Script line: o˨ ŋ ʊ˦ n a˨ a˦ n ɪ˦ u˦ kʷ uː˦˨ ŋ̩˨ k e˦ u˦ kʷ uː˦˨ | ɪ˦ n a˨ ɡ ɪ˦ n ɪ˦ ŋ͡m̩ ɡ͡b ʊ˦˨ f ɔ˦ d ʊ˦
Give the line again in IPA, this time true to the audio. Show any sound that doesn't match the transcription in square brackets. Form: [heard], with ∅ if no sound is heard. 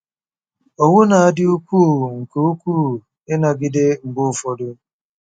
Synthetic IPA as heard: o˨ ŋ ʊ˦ n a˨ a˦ [d] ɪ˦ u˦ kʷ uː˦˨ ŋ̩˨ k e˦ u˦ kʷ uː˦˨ | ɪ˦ n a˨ ɡ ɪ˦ [d] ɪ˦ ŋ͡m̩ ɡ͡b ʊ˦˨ f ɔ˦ d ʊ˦